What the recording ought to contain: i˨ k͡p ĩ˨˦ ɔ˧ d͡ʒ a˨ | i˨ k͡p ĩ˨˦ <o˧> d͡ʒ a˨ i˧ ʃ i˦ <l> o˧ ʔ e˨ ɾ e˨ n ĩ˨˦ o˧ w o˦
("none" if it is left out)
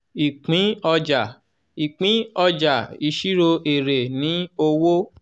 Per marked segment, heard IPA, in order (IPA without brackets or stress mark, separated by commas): ɔ˧, ɾ